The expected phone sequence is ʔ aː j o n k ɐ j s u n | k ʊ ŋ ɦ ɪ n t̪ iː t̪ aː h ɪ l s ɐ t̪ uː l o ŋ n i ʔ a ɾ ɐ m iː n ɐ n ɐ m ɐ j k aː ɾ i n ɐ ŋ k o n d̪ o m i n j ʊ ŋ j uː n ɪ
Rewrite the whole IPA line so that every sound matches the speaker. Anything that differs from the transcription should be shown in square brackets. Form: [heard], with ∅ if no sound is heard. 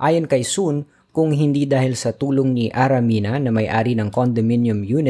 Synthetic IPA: ʔ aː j o n k ɐ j s u n | k ʊ ŋ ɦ ɪ n [d̪] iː [d̪] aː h ɪ l s ɐ t̪ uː l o ŋ n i ʔ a ɾ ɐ m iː n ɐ n ɐ m ɐ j [ʔ] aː ɾ i n ɐ ŋ k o n d̪ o m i n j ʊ [m] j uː n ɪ